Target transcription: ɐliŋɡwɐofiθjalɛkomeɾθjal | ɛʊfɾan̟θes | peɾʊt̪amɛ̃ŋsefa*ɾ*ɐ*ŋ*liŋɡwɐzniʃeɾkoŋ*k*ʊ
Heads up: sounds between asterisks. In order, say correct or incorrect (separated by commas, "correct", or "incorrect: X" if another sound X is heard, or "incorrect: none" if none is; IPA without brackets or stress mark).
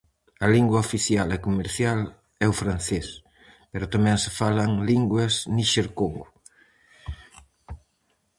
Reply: incorrect: l, correct, incorrect: ɡ